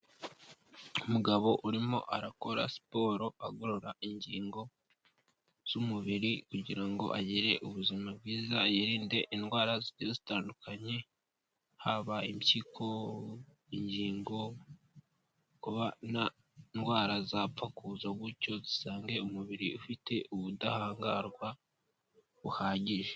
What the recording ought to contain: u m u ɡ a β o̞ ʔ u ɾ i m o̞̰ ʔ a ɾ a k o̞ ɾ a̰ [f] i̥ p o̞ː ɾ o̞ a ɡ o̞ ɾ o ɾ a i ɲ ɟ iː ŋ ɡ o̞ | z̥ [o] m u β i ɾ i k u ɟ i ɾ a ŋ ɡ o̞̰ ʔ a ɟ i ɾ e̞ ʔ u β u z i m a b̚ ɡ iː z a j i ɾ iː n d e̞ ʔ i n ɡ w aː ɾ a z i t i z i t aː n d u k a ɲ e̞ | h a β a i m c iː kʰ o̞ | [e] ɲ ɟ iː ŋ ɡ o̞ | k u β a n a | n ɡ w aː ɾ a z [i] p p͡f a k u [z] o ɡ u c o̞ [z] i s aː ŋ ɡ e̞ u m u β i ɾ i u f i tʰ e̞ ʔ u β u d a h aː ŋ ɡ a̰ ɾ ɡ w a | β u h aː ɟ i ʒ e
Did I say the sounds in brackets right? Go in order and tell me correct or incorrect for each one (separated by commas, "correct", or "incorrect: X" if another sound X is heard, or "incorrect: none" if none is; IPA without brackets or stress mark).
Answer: incorrect: s, incorrect: u, incorrect: i, incorrect: a, correct, correct